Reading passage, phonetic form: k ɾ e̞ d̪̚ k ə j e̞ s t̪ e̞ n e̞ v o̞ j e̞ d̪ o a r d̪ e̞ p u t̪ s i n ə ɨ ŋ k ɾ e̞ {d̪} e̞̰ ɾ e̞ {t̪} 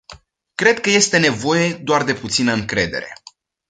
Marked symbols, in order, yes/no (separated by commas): yes, no